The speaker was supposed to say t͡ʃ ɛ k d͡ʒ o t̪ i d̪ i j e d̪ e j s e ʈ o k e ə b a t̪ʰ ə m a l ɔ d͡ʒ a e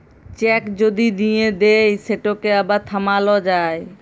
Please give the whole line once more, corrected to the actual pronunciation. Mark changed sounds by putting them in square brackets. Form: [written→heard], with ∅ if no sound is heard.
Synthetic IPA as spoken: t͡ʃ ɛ k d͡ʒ o [t̪→d̪] i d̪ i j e d̪ e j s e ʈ o k e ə b a t̪ʰ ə m a l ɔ d͡ʒ a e